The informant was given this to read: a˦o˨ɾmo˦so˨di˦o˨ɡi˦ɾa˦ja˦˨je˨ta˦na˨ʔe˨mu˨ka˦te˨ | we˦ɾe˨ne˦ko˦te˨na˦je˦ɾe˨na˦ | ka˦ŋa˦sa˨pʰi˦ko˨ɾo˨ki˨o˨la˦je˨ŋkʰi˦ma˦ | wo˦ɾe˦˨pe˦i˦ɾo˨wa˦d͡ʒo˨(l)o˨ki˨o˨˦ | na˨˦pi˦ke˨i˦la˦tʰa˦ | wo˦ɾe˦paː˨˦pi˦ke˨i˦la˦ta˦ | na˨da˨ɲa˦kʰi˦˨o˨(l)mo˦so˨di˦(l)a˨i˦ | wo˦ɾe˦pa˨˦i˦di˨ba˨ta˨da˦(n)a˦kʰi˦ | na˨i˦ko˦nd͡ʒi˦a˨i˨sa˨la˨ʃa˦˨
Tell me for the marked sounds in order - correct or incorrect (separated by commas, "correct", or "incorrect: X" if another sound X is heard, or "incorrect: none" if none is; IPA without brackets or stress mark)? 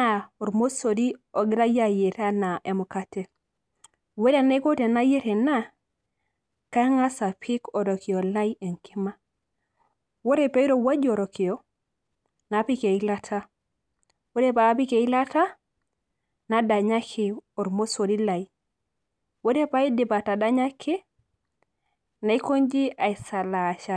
incorrect: ɾ, incorrect: ɾ, correct, incorrect: ɲ